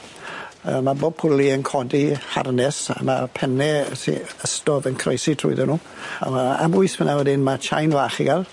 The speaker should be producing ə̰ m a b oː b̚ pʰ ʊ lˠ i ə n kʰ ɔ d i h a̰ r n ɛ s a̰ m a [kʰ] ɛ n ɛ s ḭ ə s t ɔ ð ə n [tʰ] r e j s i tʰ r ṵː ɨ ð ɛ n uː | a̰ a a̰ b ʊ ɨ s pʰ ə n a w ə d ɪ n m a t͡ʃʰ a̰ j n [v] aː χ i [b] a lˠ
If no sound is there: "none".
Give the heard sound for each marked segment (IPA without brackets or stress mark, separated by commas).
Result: pʰ, kʰ, v, ɡ